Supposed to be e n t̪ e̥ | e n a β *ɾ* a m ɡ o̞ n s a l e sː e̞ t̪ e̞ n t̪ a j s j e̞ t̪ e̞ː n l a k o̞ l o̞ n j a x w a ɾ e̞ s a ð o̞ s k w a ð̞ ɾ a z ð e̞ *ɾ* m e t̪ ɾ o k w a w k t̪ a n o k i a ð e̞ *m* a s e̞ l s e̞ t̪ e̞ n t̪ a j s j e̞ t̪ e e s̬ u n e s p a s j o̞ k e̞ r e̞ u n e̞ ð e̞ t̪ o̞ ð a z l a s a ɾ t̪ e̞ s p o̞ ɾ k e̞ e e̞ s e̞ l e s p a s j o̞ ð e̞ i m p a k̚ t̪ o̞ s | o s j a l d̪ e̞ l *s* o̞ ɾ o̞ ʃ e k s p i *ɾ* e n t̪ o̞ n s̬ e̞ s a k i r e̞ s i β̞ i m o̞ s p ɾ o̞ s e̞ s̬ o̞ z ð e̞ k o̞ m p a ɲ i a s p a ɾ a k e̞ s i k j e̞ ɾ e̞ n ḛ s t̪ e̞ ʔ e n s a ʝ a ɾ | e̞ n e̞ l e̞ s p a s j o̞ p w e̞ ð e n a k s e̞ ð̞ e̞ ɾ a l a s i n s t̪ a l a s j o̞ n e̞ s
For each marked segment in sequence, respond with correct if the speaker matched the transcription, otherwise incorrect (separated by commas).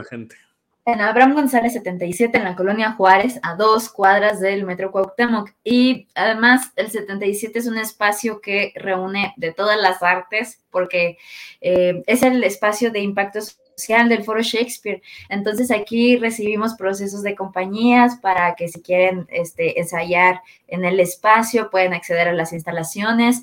correct, incorrect, correct, incorrect, correct